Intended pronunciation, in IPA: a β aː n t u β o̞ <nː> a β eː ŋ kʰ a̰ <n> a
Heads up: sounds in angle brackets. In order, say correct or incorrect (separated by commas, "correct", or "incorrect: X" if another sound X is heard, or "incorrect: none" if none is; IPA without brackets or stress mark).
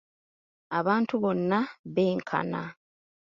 correct, correct